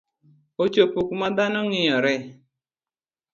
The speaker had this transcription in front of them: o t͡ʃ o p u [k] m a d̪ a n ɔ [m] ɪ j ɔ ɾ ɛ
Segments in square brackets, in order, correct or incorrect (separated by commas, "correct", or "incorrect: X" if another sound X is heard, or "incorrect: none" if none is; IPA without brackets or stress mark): correct, incorrect: ŋ